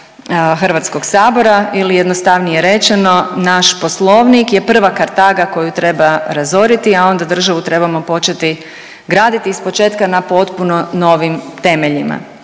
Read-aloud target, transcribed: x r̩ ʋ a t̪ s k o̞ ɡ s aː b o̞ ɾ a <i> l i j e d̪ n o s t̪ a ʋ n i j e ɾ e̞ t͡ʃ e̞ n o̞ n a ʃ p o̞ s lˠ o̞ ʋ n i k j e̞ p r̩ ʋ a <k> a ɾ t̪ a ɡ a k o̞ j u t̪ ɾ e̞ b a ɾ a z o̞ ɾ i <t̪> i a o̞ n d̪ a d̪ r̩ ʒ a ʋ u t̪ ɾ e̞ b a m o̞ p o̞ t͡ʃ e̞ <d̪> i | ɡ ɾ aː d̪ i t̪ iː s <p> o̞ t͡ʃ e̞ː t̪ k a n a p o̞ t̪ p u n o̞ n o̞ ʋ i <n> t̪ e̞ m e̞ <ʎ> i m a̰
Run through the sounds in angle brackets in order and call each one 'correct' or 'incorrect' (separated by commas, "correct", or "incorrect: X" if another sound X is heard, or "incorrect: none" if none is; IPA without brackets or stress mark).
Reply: correct, correct, correct, incorrect: t̪, correct, incorrect: m, correct